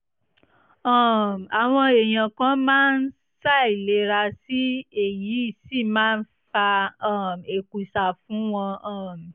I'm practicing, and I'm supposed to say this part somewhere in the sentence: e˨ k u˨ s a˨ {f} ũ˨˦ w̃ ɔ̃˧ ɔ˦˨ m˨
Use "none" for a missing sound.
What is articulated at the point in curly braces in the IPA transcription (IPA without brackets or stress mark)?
f